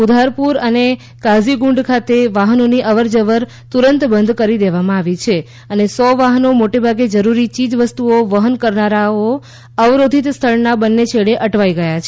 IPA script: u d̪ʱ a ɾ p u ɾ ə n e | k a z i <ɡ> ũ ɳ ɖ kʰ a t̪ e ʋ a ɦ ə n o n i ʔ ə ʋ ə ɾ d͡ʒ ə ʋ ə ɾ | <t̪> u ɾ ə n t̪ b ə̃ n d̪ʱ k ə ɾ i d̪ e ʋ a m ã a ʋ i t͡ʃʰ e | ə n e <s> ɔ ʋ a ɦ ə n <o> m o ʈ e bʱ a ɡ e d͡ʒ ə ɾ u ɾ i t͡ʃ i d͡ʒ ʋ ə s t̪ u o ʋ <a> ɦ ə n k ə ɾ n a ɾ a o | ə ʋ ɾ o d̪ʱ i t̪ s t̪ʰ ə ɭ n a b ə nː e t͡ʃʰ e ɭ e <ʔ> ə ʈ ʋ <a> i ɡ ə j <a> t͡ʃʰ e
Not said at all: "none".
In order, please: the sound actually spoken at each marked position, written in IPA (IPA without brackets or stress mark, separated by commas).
ɡ, t̪, s, o, ə, ʔ, a, a